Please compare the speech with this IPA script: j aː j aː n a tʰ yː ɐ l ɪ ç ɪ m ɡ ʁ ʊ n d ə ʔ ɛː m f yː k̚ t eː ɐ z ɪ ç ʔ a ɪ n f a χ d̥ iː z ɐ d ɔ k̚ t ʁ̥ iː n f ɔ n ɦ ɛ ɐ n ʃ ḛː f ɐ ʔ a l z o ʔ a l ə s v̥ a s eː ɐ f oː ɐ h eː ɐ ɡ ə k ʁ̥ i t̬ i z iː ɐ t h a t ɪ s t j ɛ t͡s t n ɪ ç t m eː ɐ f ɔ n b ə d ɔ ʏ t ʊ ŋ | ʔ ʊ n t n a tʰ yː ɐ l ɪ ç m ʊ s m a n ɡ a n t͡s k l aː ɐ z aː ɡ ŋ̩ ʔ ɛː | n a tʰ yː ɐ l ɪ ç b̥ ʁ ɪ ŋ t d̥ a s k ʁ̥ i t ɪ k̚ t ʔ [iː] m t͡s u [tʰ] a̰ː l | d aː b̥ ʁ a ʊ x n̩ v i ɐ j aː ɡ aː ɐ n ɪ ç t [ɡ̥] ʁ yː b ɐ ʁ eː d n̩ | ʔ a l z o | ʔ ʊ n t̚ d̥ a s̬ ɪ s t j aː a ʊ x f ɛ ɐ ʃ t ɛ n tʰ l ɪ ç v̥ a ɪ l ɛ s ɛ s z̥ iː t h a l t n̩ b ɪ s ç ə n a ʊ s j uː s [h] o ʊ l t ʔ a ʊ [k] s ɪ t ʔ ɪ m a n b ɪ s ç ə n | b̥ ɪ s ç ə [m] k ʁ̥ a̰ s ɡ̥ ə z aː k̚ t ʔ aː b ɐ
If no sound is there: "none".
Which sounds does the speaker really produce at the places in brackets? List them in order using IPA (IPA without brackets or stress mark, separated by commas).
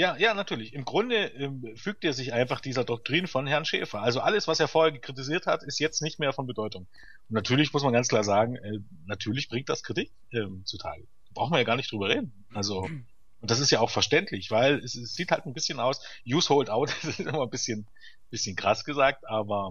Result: ɛː, tʰ, d̥, h, t, n